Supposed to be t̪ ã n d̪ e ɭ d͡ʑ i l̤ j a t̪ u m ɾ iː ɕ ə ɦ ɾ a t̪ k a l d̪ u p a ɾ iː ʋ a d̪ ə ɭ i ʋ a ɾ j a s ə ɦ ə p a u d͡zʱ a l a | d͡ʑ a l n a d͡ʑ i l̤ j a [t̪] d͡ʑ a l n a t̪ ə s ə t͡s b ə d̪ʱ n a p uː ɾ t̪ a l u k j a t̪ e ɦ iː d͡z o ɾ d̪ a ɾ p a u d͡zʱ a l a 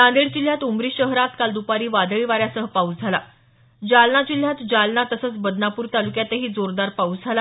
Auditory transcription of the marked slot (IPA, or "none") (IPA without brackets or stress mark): t̪